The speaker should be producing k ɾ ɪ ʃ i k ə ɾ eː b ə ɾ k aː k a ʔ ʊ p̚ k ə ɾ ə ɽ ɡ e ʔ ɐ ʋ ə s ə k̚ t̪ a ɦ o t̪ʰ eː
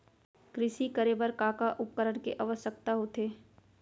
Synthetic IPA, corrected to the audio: k ɾ ɪ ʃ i k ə ɾ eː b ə ɾ k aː k a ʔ ʊ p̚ k ə ɾ ə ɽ k e ʔ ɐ ʋ ə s ə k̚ t̪ a ɦ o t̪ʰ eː